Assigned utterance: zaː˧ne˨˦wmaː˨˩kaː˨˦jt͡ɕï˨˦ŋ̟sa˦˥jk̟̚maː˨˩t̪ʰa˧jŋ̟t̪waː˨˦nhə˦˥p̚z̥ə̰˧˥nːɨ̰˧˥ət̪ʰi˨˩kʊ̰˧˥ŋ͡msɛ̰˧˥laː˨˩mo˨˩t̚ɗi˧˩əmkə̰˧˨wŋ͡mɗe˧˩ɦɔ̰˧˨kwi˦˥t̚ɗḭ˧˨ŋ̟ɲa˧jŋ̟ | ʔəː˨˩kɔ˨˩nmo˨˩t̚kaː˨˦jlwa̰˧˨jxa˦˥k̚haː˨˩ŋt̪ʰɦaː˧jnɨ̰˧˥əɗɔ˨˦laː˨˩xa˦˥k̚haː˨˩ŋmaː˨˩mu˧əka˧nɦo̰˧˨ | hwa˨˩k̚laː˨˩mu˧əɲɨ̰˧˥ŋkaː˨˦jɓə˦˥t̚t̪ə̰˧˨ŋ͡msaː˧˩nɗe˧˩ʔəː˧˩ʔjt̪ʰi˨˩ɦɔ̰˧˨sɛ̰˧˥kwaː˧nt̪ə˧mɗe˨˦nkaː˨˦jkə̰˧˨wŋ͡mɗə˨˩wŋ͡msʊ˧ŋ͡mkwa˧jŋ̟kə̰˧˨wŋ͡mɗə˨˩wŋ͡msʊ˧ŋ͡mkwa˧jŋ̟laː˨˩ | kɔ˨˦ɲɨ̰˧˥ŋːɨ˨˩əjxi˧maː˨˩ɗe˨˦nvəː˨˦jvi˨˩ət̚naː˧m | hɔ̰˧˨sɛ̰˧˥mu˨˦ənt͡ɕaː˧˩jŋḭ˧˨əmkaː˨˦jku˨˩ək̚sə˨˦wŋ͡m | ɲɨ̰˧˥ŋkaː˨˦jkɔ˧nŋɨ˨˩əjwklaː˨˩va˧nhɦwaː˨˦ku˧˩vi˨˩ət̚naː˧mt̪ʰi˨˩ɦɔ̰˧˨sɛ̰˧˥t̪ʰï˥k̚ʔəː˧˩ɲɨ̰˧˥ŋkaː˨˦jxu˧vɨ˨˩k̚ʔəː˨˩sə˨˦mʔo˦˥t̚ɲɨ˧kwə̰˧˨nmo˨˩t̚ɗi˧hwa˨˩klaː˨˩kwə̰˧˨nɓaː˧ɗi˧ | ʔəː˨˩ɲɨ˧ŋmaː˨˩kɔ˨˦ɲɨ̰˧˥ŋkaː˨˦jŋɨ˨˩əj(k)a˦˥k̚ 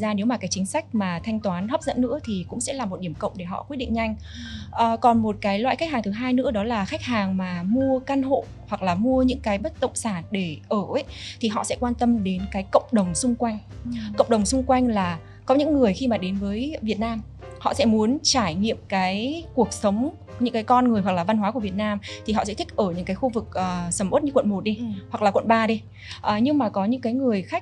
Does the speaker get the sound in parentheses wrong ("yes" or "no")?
yes